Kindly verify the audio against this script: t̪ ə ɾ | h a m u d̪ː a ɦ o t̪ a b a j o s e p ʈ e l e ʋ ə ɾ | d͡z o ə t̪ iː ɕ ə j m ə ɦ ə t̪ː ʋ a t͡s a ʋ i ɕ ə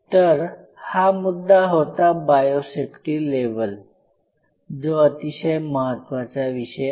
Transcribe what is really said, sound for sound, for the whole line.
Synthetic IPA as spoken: t̪ ə ɾ | h a m u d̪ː a ɦ o t̪ a b a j o s e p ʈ i l e ʋ ə l | d͡z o ə t̪ i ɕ ə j m ə ɦ ə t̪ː ʋ a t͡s a ʋ i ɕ ə